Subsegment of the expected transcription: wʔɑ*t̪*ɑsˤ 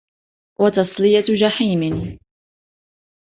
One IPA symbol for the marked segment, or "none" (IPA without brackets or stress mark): t̪